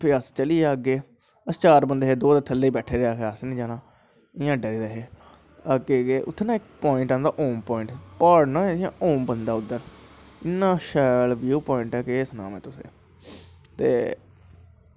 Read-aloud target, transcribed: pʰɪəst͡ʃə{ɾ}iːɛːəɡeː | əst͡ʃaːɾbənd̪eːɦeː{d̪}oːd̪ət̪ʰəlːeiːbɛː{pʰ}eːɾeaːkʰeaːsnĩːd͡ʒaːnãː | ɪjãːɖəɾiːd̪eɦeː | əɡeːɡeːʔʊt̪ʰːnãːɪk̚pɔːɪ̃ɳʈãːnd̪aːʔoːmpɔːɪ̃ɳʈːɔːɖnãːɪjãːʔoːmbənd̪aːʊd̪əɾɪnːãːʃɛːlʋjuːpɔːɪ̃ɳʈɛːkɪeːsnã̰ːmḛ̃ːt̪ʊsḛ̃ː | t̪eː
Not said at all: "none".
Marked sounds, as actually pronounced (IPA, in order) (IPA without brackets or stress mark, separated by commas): l, d̪, ʈʰ